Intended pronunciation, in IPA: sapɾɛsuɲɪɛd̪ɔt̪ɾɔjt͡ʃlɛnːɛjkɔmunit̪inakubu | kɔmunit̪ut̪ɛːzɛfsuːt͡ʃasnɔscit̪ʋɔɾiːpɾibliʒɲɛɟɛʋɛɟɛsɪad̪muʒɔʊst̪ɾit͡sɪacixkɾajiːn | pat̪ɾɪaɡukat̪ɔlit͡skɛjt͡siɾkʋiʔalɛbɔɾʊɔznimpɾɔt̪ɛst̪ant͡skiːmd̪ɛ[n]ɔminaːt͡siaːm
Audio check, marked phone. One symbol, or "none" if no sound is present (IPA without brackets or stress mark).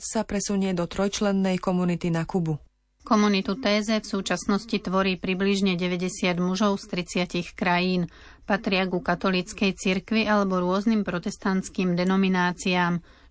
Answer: n